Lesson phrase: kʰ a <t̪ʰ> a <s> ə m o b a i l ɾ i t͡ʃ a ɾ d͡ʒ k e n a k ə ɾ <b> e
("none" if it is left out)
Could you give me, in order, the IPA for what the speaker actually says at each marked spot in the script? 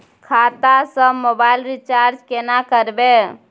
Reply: t̪, s, b

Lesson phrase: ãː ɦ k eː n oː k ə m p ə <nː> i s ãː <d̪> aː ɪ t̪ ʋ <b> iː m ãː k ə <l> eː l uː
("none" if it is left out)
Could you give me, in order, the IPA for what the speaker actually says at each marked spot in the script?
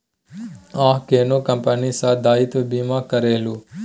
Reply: n, d̪, b, ɾ

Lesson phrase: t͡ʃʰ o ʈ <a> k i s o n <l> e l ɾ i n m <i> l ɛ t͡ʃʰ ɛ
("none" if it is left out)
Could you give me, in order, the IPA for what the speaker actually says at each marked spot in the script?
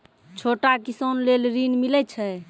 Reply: a, l, i

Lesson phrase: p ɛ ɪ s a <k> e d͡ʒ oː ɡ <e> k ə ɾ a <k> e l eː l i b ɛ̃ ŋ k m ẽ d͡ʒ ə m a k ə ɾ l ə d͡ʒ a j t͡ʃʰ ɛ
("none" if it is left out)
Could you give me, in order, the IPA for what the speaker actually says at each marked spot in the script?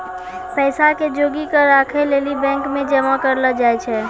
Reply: k, i, kʰ

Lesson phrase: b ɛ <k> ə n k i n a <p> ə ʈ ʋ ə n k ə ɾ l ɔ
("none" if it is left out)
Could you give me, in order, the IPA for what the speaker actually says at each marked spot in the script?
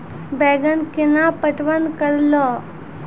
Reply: ɡ, p

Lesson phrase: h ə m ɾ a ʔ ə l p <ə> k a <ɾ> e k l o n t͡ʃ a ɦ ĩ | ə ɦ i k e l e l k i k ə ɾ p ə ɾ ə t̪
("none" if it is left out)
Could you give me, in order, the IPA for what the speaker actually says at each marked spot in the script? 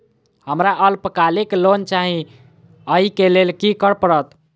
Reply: ə, l

